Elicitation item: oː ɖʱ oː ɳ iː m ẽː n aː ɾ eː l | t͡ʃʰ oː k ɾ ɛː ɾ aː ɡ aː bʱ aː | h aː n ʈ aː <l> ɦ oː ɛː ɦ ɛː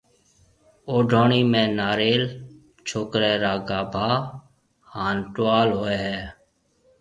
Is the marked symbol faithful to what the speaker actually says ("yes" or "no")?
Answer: yes